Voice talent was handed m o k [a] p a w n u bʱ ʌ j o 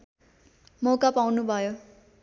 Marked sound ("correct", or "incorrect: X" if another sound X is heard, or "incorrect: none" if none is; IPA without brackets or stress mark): correct